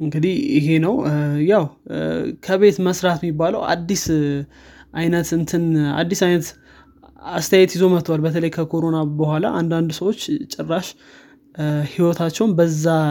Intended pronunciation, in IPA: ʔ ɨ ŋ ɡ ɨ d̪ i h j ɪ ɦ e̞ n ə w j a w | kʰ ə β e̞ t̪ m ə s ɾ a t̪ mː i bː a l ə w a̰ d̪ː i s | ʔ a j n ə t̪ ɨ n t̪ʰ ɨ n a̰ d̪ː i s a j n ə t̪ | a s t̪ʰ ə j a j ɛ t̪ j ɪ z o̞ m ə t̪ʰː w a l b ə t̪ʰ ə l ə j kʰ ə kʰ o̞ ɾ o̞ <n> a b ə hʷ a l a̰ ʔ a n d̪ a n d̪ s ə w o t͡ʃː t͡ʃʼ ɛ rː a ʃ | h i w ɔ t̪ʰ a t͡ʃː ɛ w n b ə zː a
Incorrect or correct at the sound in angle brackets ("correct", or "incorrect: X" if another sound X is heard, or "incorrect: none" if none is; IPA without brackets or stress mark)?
correct